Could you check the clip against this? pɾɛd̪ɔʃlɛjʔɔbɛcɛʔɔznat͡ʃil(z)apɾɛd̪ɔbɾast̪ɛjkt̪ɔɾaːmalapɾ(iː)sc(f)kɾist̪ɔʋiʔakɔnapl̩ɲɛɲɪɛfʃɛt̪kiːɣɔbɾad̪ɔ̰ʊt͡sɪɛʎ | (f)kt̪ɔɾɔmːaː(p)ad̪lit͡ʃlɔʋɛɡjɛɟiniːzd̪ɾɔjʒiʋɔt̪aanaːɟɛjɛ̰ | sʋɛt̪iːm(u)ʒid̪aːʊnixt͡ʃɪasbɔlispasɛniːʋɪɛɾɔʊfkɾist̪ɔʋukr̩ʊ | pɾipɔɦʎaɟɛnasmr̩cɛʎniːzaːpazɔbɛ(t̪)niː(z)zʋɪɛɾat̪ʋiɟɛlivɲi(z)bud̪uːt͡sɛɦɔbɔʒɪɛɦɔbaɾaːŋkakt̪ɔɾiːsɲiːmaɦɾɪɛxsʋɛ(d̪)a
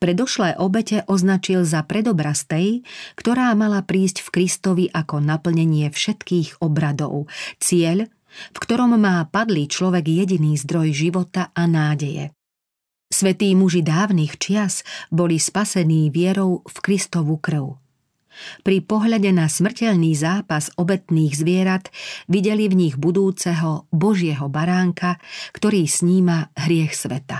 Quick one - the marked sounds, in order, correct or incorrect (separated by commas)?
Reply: correct, correct, correct, correct, correct, correct, correct, incorrect, incorrect, incorrect